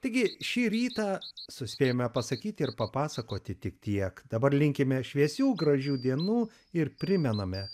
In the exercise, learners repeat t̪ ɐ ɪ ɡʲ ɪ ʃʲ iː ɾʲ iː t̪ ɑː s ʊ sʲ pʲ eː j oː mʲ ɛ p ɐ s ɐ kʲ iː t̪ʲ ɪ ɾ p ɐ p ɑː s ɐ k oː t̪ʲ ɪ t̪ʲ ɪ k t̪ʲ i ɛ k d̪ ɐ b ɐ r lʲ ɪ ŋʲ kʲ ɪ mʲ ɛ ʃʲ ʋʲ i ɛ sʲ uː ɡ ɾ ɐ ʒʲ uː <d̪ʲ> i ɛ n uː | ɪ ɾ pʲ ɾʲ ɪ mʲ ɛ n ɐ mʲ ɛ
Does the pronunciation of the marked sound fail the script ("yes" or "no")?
no